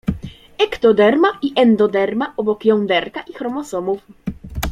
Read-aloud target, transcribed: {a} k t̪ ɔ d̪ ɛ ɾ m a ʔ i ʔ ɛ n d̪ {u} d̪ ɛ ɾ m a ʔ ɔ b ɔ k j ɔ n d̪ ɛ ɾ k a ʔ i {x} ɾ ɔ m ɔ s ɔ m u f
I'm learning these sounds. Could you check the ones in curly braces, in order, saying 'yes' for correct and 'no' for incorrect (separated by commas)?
no, no, yes